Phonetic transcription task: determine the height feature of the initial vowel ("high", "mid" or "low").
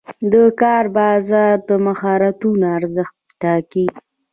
mid